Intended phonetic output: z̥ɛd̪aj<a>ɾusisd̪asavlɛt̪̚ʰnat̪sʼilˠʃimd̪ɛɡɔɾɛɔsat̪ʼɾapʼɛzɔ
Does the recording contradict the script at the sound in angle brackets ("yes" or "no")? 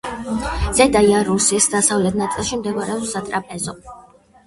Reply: no